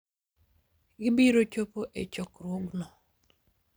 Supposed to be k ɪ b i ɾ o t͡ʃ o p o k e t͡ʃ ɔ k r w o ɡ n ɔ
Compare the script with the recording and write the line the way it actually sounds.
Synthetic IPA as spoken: ɡ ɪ b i ɾ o t͡ʃ o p o ʔ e t͡ʃ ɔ k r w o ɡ n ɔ